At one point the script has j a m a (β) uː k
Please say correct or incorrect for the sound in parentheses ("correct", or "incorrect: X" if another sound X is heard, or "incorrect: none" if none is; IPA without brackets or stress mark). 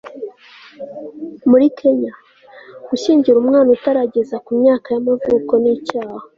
incorrect: v